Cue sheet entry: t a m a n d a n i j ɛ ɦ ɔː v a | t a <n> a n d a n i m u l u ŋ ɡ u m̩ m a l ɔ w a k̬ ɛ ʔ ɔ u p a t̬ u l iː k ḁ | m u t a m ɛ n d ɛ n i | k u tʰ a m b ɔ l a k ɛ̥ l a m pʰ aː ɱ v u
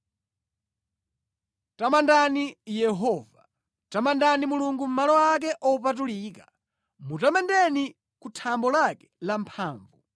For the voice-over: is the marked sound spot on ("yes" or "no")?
no